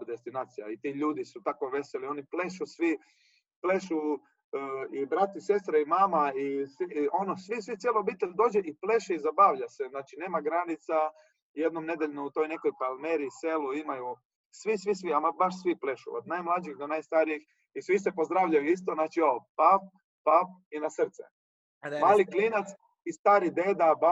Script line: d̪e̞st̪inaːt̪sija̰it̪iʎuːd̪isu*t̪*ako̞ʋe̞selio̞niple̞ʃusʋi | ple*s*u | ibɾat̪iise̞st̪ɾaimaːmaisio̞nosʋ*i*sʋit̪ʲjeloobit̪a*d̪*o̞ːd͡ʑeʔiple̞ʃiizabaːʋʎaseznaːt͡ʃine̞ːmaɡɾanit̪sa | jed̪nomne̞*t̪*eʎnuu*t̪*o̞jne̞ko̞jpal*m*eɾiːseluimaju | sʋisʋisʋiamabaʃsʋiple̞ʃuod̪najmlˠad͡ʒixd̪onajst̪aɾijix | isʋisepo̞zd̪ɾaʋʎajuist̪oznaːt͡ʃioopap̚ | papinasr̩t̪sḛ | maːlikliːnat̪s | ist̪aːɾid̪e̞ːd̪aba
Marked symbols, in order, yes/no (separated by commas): yes, no, yes, yes, no, yes, yes